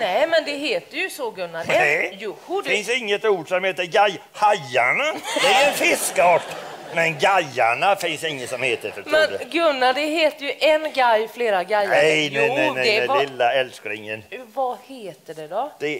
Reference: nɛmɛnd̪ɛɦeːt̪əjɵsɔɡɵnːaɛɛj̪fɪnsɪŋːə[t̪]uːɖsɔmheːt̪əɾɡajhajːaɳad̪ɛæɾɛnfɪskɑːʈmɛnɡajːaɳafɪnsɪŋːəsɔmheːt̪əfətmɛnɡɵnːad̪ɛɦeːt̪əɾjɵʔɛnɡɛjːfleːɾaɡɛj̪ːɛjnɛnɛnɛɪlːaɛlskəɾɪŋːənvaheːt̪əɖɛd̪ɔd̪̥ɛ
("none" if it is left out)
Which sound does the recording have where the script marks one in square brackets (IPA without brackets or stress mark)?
t̪